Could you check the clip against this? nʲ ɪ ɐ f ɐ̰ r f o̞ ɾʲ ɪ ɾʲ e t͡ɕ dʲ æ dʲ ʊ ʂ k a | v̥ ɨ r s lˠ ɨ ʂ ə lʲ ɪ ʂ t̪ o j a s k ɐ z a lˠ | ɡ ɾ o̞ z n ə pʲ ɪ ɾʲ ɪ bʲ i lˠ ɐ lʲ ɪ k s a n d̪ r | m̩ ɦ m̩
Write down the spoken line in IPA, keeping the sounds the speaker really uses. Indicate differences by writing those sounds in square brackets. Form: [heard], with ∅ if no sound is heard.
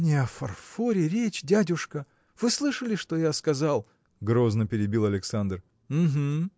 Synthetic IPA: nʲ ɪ ɐ f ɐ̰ r f o̞ ɾʲ ɪ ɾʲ e t͡ɕ dʲ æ dʲ ʊ ʂ k [ə] | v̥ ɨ [∅] s lˠ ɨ ʂ ə lʲ ɪ ʂ t̪ o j a s k ɐ z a lˠ | ɡ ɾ o̞ z n ə pʲ ɪ ɾʲ ɪ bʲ i lˠ ɐ lʲ ɪ k s a n d̪ r | m̩ ɦ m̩